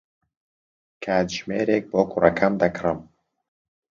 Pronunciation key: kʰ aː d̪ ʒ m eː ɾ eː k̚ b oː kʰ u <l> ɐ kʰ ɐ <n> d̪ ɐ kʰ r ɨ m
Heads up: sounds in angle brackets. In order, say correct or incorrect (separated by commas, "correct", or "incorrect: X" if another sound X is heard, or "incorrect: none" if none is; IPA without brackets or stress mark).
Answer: incorrect: r, incorrect: m